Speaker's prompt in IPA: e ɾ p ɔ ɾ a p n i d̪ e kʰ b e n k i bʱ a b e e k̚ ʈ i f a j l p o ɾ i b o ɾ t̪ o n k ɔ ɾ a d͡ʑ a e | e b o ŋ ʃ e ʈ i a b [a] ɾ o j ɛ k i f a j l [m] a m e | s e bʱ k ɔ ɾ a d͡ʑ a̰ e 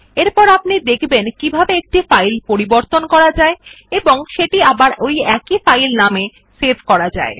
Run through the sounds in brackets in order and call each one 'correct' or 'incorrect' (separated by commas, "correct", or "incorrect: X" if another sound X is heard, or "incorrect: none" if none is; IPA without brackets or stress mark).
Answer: correct, incorrect: n